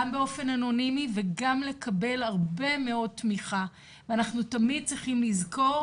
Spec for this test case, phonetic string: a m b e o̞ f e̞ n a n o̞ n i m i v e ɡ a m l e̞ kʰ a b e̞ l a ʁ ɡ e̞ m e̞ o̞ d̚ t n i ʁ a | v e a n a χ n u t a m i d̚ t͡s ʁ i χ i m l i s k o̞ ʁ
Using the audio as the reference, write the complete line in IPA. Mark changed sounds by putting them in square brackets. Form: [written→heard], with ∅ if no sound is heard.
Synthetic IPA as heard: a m b e o̞ f e̞ n a n o̞ n i m i v e ɡ a m l e̞ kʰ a b e̞ l a ʁ [ɡ→b] e̞ m e̞ o̞ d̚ t [n→m] i [ʁ→χ] a | v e a n a χ n u t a m i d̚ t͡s ʁ i χ i m l i [s→z] k o̞ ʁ